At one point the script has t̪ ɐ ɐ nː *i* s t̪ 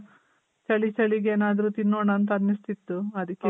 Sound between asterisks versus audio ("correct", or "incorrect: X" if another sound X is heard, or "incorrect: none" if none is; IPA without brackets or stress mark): correct